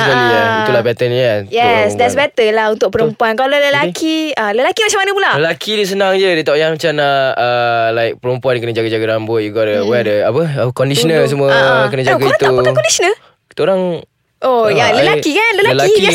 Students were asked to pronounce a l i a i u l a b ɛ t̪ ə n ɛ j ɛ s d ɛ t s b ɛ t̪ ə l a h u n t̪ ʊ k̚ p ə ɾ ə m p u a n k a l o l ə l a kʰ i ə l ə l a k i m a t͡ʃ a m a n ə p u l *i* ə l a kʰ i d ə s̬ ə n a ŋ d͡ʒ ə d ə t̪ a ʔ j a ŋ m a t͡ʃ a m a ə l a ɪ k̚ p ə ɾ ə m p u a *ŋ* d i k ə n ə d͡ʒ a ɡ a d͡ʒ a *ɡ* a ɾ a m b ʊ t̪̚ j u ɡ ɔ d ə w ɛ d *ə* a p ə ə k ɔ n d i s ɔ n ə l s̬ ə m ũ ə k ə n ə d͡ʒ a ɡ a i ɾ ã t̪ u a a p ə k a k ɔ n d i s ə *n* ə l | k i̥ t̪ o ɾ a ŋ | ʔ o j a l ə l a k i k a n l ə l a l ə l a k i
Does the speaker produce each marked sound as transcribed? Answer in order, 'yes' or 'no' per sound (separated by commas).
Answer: no, no, yes, yes, yes